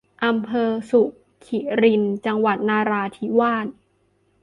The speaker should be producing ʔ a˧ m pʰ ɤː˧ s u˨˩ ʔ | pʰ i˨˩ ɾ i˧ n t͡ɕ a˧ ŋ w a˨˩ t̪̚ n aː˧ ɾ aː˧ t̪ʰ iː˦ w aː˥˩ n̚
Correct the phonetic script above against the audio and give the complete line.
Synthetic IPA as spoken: ʔ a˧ m pʰ ɤː˧ s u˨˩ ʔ | kʰ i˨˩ ɾ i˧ n t͡ɕ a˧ ŋ w a˨˩ t̪̚ n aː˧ ɾ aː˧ t̪ʰ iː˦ w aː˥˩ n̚